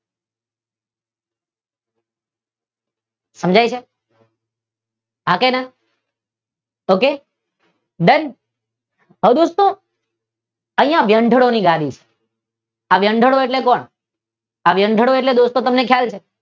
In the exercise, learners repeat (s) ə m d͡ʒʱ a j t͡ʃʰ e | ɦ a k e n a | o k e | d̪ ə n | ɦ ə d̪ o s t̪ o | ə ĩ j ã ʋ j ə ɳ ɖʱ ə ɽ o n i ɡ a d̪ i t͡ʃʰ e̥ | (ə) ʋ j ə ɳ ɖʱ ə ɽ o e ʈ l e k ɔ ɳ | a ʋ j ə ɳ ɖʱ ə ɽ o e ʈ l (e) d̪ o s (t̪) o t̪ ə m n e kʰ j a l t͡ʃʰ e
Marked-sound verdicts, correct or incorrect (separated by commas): correct, incorrect, correct, correct